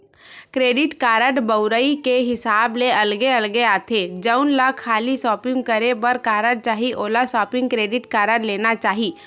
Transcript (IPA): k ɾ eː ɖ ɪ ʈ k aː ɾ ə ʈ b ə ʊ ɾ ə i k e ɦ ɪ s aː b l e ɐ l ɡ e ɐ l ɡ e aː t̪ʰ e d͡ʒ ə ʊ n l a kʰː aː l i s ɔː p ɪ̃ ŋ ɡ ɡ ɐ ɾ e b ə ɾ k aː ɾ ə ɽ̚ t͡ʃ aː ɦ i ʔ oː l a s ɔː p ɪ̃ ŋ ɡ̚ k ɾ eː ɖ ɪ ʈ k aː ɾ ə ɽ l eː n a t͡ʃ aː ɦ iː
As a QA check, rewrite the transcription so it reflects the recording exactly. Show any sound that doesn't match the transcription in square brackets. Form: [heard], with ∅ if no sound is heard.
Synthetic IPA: k ɾ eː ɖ ɪ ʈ k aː ɾ ə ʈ b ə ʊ ɾ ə i k e ɦ ɪ s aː b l e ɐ l ɡ e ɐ l ɡ e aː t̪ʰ e d͡ʒ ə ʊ n l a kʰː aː l i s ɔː p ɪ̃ ŋ ɡ [k] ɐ ɾ e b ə ɾ k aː ɾ ə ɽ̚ t͡ʃ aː ɦ i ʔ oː l a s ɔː p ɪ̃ ŋ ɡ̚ k ɾ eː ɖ ɪ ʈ k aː ɾ ə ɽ l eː n a t͡ʃ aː ɦ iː